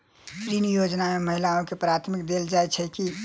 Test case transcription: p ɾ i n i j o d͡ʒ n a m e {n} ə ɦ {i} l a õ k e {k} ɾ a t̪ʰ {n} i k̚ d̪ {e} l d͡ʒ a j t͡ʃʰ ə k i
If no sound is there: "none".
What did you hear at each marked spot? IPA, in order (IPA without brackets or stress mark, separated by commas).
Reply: m, i, p, m, e